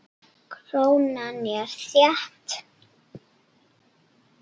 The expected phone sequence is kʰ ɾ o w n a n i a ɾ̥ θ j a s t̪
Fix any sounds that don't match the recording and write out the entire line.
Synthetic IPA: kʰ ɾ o w n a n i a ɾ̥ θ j a h t̪